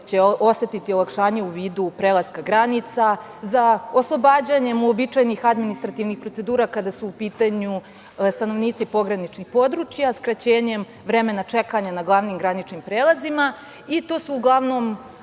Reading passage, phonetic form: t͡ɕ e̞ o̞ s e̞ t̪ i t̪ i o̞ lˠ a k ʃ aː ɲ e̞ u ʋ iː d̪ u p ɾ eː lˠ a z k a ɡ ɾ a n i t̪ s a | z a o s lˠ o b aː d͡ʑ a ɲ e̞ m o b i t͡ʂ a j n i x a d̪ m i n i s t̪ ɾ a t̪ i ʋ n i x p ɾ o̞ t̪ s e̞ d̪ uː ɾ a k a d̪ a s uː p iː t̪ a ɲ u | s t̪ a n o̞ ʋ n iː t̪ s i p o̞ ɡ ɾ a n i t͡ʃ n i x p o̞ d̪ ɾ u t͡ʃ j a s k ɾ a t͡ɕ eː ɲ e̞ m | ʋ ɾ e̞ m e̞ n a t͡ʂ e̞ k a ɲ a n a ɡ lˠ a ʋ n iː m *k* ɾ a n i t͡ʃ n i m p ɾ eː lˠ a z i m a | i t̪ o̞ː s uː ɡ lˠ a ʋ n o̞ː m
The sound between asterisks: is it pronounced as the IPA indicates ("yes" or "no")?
no